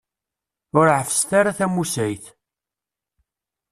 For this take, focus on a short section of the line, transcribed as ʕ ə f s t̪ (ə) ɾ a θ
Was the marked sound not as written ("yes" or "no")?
yes